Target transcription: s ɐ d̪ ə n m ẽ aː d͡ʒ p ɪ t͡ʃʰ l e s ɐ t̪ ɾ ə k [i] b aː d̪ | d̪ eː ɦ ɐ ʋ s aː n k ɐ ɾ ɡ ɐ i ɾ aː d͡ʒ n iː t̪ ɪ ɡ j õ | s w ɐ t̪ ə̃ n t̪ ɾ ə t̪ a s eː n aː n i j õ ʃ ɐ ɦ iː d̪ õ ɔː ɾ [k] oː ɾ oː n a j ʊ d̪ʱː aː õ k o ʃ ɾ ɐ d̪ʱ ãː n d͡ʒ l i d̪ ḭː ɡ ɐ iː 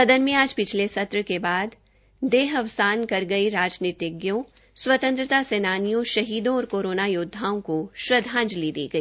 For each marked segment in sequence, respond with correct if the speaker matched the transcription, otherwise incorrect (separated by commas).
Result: incorrect, correct